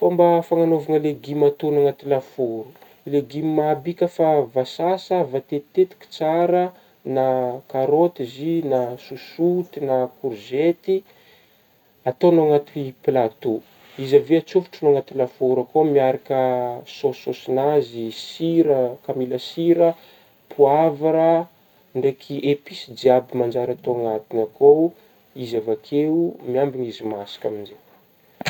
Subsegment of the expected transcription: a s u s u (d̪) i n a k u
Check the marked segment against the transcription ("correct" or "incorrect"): incorrect